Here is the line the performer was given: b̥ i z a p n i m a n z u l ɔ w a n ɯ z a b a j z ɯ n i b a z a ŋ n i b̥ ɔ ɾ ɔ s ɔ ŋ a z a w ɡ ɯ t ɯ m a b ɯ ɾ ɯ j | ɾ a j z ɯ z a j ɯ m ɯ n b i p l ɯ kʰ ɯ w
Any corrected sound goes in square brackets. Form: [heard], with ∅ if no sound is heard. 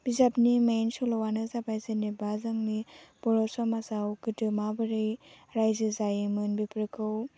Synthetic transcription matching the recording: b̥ i z a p n i m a n [s] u l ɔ w a n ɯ z a b a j z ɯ n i b a z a ŋ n i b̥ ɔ ɾ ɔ s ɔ [m] a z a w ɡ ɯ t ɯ m a b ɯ ɾ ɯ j | ɾ a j z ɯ z a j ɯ m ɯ n b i p [ɾ] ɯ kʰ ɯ w

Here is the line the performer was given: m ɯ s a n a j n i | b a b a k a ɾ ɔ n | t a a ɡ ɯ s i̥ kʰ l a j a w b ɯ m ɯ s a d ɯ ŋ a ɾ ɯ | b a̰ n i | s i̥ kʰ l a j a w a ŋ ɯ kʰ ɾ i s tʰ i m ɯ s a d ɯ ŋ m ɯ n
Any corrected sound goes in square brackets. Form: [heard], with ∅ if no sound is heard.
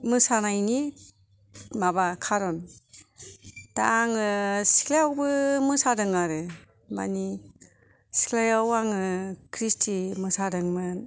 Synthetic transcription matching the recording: m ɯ s a n a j n i | [m] a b a [kʰ] a ɾ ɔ n | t a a [ŋ] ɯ s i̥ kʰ l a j a w b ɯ m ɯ s a d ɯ ŋ a ɾ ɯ | [m] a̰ n i | s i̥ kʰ l a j a w a ŋ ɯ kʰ ɾ i s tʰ i m ɯ s a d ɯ ŋ m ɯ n

